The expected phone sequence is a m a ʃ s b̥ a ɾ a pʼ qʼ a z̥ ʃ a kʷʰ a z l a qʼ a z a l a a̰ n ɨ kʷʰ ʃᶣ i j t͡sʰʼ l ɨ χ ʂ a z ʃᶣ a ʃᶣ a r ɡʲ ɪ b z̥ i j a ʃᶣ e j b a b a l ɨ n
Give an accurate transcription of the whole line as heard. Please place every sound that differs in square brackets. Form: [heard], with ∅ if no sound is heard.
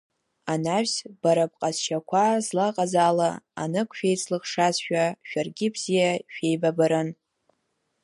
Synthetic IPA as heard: a [n] a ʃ s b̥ a ɾ a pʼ qʼ a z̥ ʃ a kʷʰ a z l a qʼ a z a l a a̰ n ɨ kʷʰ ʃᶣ [e] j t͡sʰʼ l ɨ χ ʂ a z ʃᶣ a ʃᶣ a r ɡʲ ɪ b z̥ i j a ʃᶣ e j b a b a [ɾ] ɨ n

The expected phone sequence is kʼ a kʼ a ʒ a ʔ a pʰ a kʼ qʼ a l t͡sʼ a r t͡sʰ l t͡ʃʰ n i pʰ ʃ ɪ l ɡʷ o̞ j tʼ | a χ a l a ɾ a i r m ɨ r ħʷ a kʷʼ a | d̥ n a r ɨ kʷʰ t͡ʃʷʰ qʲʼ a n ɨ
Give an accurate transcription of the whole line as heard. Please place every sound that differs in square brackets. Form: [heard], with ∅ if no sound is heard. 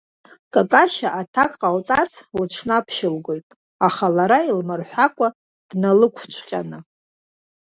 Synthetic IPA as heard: kʼ a kʼ a [ʃ] a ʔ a [tʰ] a kʼ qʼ a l t͡sʼ a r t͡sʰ l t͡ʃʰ n [a] pʰ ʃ ɪ l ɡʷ o̞ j tʼ | a χ a l a ɾ a i [l] m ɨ r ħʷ a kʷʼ a | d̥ n a [l] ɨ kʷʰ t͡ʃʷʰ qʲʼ a n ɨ

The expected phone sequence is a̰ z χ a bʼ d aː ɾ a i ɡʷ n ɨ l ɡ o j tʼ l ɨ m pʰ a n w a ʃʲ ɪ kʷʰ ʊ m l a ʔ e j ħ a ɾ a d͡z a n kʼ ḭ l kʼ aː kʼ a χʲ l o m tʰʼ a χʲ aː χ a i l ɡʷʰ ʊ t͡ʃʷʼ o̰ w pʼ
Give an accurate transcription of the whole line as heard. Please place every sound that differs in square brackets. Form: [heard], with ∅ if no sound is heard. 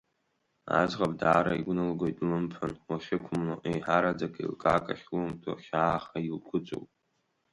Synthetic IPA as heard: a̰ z [ʁ] a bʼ d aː ɾ a i ɡʷ n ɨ l ɡ o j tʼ l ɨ m pʰ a n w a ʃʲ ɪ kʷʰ ʊ m l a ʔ e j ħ a ɾ a d͡z a [∅] kʼ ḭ l kʼ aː kʼ a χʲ l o m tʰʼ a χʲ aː χ a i l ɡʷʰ ʊ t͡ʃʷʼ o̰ w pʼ

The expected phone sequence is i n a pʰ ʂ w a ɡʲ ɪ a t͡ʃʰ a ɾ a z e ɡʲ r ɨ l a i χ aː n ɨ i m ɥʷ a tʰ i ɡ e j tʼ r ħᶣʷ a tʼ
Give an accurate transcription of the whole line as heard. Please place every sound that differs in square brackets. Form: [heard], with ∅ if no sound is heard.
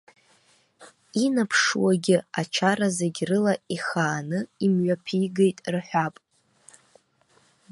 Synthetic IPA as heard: i n a pʰ ʂ w a ɡʲ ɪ a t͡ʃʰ a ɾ a z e ɡʲ r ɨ l a i χ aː n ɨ i m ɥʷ a [pʰ] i ɡ e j tʼ r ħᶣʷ a [pʼ]

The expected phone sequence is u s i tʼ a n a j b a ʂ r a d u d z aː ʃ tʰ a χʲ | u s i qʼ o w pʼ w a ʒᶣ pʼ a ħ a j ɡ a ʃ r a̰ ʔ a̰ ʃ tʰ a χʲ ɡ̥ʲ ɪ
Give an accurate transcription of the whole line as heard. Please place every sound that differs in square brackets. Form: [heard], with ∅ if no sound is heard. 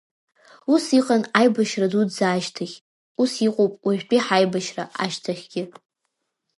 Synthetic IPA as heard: u s i [qʼ] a n a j b a [ʃ] r a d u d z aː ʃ tʰ a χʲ | u s i qʼ o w pʼ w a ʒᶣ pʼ [i] ħ a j [b] a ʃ r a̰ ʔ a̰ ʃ tʰ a χʲ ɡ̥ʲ ɪ

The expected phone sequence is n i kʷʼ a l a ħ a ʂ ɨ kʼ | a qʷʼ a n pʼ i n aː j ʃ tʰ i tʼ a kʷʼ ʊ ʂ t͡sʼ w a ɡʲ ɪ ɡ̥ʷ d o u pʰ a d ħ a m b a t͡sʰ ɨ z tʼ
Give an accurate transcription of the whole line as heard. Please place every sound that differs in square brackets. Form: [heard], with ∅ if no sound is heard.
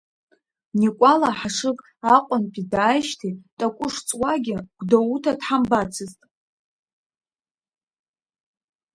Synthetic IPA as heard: n i kʷʼ a l a ħ a ʂ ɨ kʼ | a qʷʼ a n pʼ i [d] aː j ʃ tʰ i tʼ a kʷʼ ʊ ʂ t͡sʼ w a ɡʲ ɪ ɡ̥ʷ d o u [tʰ] a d ħ a m b a t͡sʰ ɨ z tʼ

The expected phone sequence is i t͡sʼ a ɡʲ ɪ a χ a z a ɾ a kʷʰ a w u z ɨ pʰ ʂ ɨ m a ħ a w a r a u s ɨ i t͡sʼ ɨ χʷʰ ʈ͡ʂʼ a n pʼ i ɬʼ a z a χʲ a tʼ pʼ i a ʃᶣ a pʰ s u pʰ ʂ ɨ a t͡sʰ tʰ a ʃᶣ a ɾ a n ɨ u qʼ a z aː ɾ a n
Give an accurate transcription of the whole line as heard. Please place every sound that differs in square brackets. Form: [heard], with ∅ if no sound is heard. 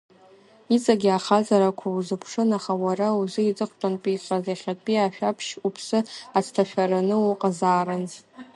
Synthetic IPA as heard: i t͡sʼ a ɡʲ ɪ a χ a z a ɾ a kʷʰ a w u z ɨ pʰ ʂ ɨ [n] a [χ] a w a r a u [z] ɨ i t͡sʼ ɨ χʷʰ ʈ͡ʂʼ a n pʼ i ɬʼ a z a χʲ a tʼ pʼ i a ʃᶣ a pʰ [ʃ] u pʰ [s] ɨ a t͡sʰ tʰ a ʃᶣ a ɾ a n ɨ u qʼ a z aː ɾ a n

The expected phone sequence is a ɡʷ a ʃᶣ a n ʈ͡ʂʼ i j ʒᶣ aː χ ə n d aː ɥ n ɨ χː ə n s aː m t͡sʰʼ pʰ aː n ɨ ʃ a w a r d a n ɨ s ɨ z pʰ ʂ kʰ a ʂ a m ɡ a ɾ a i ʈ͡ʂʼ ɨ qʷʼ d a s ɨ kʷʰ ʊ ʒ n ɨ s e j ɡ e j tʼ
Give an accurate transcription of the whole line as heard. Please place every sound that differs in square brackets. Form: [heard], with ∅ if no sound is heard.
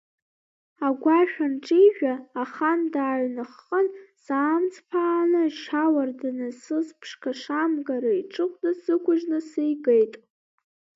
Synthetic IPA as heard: a ɡʷ a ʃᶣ a n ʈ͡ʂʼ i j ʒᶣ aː χ [a] n d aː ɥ n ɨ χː ə n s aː m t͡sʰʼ pʰ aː n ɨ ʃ a w a r d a n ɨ s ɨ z pʰ ʂ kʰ a ʂ a m ɡ a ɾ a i ʈ͡ʂʼ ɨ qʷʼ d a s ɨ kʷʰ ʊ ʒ n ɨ s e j ɡ e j tʼ

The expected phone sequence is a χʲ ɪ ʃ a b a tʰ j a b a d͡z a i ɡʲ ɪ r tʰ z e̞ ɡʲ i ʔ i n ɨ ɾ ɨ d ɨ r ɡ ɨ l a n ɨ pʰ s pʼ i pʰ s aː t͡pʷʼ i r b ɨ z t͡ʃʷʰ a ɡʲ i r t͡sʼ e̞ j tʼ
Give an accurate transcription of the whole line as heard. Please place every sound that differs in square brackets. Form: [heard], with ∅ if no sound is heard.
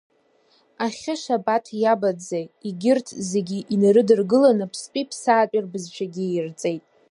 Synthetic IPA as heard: a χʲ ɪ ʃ a b a tʰ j a b a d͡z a i ɡʲ ɪ r tʰ z e̞ ɡʲ i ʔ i n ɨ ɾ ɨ d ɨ r ɡ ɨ l a n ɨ pʰ s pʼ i pʰ s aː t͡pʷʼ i r b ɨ z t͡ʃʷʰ a ɡʲ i r t͡sʼ e̞ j tʼ

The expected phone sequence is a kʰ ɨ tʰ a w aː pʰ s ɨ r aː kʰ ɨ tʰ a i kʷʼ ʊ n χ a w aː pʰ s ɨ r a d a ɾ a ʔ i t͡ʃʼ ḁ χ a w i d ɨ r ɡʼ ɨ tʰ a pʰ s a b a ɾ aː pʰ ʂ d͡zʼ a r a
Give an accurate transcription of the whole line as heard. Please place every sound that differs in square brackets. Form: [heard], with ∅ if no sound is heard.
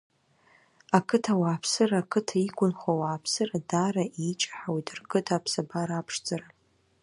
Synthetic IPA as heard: a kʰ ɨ tʰ a w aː pʰ s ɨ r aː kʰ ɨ tʰ a i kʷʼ ʊ n χ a w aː pʰ s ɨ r a d a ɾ a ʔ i t͡ʃʼ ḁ [ħ] a w i d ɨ r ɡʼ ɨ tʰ a pʰ s a b a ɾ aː pʰ ʂ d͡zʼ a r a

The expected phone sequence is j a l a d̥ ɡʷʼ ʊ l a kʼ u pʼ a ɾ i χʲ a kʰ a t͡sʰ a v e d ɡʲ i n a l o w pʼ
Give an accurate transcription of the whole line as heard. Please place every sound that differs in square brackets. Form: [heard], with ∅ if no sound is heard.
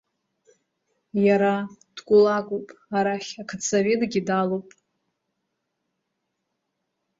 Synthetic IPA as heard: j a [ɾ] a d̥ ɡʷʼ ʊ l a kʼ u pʼ a ɾ [a] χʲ a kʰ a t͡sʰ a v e d ɡʲ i [d] a l o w pʼ

